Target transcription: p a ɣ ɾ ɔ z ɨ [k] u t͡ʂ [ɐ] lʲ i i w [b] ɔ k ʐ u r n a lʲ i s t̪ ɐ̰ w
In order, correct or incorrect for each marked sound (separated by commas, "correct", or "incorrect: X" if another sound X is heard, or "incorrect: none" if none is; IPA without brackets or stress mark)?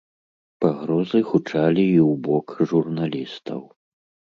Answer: incorrect: x, incorrect: a, correct